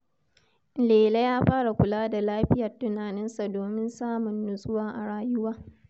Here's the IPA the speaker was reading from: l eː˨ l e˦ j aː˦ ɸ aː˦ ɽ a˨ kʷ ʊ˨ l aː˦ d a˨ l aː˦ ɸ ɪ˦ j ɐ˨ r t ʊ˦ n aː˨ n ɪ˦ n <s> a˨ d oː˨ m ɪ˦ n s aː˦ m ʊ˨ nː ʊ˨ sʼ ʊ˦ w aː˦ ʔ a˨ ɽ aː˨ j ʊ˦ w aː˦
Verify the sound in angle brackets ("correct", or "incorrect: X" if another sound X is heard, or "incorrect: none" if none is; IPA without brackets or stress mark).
correct